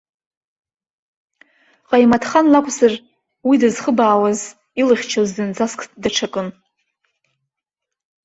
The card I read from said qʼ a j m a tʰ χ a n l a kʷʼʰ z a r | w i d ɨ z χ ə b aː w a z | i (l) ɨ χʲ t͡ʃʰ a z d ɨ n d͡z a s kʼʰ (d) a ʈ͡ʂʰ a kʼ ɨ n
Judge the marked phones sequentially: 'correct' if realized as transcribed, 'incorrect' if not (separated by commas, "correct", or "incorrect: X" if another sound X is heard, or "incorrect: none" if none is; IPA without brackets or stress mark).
correct, correct